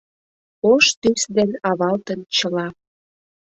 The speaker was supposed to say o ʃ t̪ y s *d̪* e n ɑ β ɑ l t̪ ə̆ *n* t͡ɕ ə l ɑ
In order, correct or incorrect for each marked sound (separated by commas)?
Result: correct, correct